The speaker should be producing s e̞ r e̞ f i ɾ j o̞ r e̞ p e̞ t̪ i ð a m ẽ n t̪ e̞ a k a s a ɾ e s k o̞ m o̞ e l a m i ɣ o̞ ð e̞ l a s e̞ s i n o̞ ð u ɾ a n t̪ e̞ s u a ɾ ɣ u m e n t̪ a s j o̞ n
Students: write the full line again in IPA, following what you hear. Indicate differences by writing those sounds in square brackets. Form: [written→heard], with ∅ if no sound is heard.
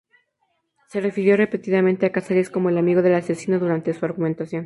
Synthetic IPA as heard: s e̞ r e̞ f i ɾ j o̞ r e̞ p e̞ t̪ i ð a m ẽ n t̪ e̞ a k a s a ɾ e s k o̞ m o̞ e l a m i ɣ o̞ ð e̞ l a s e̞ s i n o̞ ð u ɾ a n t̪ e̞ s u a ɾ ɣ u m e n t̪ a s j o̞ n